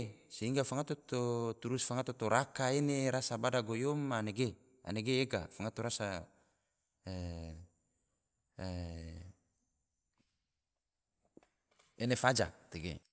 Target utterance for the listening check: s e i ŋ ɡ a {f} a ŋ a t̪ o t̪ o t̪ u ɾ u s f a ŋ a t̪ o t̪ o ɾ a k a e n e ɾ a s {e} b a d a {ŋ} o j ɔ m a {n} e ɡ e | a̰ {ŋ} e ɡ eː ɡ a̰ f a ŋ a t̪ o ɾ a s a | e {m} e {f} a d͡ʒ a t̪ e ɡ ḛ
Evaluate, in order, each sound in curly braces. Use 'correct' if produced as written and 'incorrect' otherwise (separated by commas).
correct, incorrect, incorrect, correct, incorrect, incorrect, correct